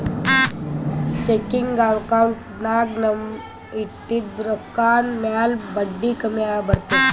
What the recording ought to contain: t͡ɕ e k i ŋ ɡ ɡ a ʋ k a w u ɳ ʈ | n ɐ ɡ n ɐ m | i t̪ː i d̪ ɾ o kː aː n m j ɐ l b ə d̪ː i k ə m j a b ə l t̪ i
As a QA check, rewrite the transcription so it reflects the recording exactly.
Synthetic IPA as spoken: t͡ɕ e k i ŋ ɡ ɡ a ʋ k a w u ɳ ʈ | n a ɡ n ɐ m | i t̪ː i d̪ ɾ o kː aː n m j a l b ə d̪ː i k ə m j a b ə ɾ t̪ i